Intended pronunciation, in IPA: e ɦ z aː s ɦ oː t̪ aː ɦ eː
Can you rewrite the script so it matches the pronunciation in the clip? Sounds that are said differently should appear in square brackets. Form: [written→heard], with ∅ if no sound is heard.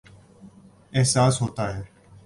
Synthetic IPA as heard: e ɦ [z→s] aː s ɦ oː t̪ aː ɦ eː